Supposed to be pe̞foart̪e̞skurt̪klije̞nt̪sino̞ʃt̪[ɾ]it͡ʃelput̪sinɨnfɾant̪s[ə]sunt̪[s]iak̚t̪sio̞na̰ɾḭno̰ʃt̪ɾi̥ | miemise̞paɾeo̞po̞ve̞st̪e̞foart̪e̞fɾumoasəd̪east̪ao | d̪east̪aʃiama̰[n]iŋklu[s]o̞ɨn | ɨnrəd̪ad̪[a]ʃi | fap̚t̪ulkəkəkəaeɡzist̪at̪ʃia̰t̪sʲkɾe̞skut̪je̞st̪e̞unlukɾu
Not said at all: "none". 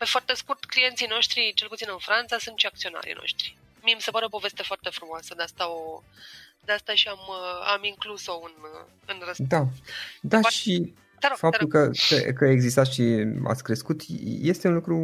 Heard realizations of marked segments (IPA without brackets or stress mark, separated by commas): ɾ, a, ʃ, m, s, a